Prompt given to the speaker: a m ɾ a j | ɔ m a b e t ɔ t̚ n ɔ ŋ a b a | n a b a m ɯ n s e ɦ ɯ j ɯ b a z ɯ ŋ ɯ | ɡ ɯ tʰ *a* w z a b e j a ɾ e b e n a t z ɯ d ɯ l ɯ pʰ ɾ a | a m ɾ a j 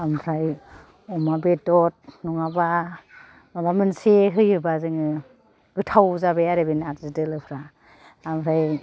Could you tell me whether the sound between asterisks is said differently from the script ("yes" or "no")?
no